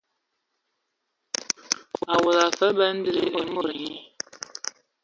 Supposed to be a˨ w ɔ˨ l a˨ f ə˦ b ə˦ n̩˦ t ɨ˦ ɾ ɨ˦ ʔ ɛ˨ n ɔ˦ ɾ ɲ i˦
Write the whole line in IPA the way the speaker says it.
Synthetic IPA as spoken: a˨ w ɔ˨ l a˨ f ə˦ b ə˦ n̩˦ d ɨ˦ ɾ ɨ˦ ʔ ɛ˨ m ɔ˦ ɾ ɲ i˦